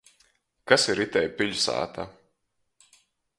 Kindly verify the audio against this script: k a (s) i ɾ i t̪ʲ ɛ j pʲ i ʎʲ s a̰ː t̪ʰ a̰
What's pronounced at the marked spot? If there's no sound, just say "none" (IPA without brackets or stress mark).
s